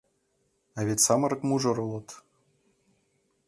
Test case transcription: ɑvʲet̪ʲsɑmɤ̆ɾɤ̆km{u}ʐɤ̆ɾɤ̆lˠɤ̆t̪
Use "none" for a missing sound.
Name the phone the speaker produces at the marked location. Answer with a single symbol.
u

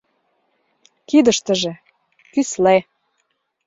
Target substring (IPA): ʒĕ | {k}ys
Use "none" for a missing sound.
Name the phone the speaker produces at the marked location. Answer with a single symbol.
k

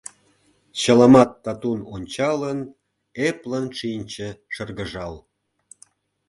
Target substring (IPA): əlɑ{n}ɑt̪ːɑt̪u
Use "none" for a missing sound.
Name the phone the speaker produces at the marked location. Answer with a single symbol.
m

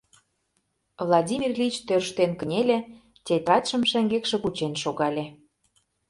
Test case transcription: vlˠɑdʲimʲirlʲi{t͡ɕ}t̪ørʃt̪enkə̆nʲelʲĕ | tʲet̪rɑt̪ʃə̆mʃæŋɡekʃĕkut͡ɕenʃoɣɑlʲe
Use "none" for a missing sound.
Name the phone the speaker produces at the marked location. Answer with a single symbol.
t͡ɕ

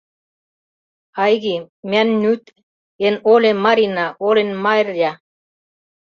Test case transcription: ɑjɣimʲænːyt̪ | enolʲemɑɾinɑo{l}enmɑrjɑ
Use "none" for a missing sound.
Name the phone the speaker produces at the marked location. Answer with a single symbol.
l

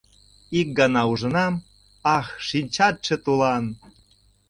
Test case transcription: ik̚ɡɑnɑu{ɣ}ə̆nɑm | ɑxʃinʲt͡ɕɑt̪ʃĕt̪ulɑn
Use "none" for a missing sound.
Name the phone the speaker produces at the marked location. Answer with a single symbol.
ʒ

